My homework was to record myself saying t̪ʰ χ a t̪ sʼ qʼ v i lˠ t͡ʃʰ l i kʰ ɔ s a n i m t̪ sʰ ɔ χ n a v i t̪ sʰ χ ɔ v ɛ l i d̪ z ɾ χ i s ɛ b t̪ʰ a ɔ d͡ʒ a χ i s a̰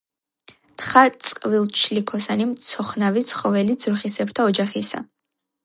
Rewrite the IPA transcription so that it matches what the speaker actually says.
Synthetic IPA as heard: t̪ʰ χ a t̪ sʼ qʼ v i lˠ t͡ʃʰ l i kʰ ɔ s a n i m t̪ sʰ ɔ χ n a v i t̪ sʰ χ ɔ v ɛ l i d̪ z ɾ χ i s ɛ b t̪ʰ a ɔ d͡ʒ a χ i s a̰

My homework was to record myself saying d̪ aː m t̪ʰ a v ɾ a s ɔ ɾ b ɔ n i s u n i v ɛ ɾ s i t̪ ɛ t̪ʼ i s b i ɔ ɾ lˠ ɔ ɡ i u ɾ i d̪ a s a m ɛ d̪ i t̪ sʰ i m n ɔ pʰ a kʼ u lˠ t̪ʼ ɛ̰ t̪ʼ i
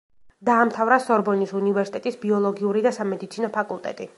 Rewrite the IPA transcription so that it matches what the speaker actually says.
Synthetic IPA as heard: d̪ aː m t̪ʰ a v ɾ a s ɔ ɾ b ɔ n i s u n i v ɛ ɾ s i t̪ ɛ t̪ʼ i s b i ɔ lˠ ɔ ɡ i u ɾ i d̪ a s a m ɛ d̪ i t̪ sʰ i n ɔ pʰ a kʼ u lˠ t̪ʼ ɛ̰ t̪ʼ i

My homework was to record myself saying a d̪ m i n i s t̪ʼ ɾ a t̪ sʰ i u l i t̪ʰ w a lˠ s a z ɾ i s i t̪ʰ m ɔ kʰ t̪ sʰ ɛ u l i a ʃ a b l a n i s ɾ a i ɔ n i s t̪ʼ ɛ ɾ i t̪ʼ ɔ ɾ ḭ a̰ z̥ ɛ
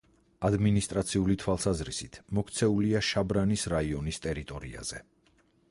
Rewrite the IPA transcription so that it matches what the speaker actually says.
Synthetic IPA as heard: a d̪ m i n i s t̪ʼ ɾ a t̪ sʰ i u l i t̪ʰ w a lˠ s a z ɾ i s i t̪ʰ m ɔ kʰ t̪ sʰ ɛ u l i a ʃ a b ɾ a n i s ɾ a i ɔ n i s t̪ʼ ɛ ɾ i t̪ʼ ɔ ɾ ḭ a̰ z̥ ɛ

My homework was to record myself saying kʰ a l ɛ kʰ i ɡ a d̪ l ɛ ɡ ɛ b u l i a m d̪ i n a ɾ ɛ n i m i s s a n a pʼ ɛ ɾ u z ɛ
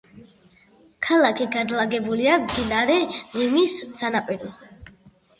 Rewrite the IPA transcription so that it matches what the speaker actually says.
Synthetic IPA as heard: kʰ a l a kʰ i ɡ a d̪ l a ɡ ɛ b u l i a m d̪ i n a ɾ ɛ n i m i s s a n a pʼ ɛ ɾ ɔ z ɛ

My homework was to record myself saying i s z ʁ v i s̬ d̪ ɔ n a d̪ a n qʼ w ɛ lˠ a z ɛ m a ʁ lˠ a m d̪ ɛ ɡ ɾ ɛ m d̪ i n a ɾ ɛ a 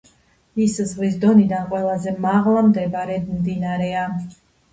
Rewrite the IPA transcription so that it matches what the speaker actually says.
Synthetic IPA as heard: i s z ʁ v i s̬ d̪ ɔ n i d̪ a n qʼ w ɛ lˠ a z ɛ m a ʁ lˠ a m d̪ ɛ b ɾ ɛ m d̪ i n a ɾ ɛ a

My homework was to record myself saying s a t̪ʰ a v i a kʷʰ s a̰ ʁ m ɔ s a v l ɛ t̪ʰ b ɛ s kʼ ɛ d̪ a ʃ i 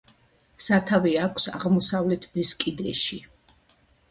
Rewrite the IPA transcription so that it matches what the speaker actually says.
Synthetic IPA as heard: s a t̪ʰ a v i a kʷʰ s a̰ ʁ m ɔ s a v l ɛ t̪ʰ b ɛ s kʼ i d̪ ɛ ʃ i

